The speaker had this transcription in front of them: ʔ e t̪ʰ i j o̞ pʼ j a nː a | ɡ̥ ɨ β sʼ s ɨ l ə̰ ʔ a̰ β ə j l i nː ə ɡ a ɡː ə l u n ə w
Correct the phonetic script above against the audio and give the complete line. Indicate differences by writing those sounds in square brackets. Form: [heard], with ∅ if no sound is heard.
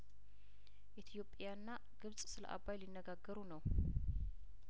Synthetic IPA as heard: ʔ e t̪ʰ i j o̞ pʼ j a nː a | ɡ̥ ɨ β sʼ s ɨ l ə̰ ʔ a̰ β [a] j l i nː ə ɡ a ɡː ə [ɾ] u n ə w